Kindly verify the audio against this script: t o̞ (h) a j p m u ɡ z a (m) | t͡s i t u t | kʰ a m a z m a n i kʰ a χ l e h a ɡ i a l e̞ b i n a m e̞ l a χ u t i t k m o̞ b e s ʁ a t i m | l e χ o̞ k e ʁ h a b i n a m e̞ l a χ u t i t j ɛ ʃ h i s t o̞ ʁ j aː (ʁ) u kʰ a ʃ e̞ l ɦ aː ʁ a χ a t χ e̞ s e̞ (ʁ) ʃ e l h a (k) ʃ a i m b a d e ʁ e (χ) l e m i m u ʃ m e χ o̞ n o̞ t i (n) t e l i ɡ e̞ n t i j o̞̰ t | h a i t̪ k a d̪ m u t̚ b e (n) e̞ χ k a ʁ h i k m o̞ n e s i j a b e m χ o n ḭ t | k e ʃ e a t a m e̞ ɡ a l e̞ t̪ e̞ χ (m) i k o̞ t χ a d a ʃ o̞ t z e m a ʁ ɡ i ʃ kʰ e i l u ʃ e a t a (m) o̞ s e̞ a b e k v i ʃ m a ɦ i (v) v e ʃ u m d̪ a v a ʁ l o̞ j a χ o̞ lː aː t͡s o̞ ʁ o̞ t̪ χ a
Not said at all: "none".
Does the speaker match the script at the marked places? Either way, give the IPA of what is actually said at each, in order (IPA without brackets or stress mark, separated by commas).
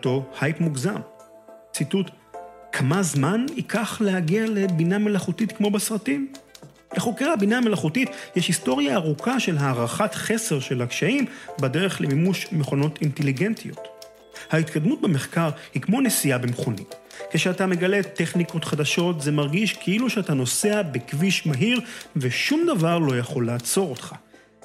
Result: h, m, ʁ, ʁ, k, χ, n, m, n, n, ʁ